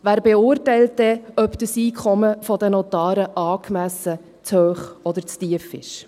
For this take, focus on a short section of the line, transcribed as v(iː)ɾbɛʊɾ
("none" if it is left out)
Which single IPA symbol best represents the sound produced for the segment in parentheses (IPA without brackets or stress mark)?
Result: æː